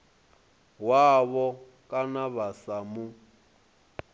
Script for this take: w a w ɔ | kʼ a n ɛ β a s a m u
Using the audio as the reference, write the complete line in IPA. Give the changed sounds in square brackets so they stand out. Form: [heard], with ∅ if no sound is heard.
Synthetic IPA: w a [β] ɔ | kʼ a n [a] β a s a m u